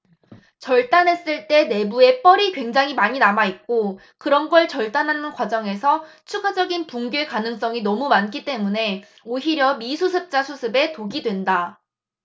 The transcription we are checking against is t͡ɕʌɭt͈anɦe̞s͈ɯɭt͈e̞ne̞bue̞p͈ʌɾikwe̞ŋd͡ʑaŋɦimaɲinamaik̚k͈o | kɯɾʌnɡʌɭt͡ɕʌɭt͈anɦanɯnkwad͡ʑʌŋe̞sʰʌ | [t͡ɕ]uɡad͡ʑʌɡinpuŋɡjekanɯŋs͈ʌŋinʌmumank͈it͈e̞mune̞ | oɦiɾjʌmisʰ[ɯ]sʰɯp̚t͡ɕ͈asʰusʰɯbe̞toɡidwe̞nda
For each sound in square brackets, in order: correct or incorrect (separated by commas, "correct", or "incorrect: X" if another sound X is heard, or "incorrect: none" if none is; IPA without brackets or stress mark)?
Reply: incorrect: t͡ɕʰ, incorrect: u